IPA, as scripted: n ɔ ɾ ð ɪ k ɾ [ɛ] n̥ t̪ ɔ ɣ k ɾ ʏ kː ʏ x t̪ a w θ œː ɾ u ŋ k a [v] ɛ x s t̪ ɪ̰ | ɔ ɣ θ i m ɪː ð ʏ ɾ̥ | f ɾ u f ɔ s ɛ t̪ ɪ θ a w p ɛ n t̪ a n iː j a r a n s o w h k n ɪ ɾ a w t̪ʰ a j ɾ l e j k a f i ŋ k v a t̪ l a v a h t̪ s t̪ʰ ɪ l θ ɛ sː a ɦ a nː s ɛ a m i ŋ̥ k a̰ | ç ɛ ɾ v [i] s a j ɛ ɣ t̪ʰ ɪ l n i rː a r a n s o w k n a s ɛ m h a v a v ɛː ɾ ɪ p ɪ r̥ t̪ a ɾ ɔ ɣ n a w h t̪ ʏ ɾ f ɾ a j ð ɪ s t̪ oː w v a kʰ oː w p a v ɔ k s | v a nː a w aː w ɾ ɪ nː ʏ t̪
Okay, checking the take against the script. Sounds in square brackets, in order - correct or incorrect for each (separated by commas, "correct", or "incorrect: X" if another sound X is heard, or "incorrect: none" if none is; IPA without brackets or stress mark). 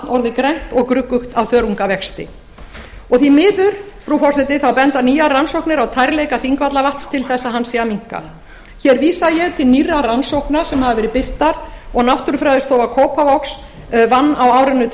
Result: correct, correct, incorrect: iː